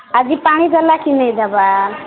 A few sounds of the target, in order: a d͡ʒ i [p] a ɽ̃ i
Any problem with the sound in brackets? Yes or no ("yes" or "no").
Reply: no